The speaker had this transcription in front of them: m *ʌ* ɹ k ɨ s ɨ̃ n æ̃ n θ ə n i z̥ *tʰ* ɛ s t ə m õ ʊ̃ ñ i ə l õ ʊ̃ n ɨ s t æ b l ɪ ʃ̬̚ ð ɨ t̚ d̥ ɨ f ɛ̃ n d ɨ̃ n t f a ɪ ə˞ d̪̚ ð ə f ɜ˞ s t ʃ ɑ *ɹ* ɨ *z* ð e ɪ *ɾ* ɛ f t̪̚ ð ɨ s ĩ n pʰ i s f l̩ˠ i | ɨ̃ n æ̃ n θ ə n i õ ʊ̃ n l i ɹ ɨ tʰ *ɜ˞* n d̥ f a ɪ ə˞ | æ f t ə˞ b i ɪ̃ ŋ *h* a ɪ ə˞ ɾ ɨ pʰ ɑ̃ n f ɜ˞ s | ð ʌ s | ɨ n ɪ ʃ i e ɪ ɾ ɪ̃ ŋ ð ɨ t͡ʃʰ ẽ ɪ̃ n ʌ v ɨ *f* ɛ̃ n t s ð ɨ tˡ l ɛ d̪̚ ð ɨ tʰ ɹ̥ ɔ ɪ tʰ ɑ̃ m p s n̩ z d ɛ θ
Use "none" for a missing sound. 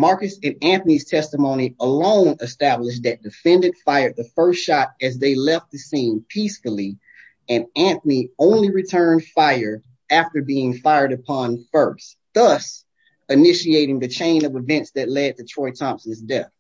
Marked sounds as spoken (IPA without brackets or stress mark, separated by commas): ɑ, tʰ, ɾ, z, l, ɜ̃˞, f, v